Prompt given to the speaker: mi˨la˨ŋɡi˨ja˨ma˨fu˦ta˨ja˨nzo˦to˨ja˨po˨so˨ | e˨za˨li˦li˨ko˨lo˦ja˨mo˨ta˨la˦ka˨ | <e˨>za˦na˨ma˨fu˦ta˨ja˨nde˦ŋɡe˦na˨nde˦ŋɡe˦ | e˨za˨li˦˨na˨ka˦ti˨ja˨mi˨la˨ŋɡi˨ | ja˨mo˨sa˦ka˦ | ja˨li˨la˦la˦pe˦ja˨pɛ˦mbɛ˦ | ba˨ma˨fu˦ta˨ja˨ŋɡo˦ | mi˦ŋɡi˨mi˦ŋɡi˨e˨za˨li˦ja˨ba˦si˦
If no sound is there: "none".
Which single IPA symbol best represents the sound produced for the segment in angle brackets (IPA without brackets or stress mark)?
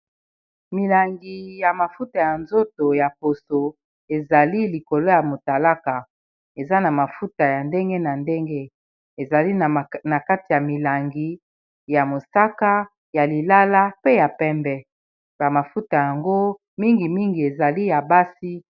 e˨